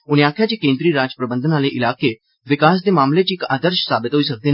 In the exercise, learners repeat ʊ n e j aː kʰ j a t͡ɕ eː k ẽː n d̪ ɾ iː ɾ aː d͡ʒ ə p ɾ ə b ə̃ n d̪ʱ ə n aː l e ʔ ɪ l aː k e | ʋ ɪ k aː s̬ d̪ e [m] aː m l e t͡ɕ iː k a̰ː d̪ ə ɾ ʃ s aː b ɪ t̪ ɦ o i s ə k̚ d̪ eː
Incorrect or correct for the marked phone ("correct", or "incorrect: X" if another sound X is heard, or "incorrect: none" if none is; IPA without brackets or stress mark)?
correct